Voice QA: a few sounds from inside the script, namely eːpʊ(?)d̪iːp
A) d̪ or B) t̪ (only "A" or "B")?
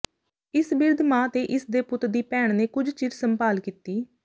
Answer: B